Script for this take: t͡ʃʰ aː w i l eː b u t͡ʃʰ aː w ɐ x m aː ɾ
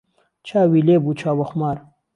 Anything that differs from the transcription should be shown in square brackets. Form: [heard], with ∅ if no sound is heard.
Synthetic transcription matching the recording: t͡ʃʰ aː w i l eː b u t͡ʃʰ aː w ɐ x m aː ɾ